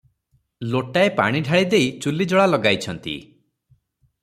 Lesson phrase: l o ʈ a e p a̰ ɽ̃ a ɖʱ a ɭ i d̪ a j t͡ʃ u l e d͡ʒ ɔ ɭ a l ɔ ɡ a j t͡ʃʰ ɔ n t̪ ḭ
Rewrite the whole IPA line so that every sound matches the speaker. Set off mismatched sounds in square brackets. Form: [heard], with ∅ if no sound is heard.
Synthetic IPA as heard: l o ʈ a e p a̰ ɽ̃ [i] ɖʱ a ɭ i d̪ [e] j t͡ʃ u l [i] d͡ʒ ɔ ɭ a l ɔ ɡ a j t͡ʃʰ ɔ n t̪ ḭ